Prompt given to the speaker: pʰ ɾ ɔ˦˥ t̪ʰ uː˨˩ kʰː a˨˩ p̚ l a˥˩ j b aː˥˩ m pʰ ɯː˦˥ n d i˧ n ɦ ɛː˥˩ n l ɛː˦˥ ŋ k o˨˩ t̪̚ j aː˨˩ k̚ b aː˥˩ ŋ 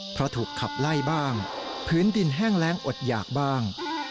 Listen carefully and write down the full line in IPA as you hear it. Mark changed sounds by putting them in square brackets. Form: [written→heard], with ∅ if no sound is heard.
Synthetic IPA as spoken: pʰ ɾ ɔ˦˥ t̪ʰ uː˨˩ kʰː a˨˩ p̚ l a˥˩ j b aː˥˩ [m→ŋ] pʰ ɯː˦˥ n d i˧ n ɦ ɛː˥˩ [n→ŋ] l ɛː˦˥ ŋ [k→ʔ] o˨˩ t̪̚ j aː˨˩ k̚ b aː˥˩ ŋ